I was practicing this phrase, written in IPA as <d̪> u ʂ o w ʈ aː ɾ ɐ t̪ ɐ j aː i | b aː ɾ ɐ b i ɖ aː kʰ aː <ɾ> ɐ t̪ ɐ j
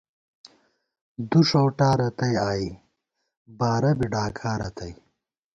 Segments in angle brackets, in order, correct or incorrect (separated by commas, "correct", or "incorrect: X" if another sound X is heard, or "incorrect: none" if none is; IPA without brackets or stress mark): correct, correct